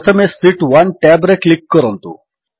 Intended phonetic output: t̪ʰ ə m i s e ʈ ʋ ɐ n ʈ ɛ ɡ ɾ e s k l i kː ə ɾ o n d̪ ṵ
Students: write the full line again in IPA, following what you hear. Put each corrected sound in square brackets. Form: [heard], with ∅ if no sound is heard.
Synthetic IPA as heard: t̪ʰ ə m [e] s [i] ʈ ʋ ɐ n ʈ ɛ [b] ɾ e [∅] k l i kː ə ɾ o n [t̪] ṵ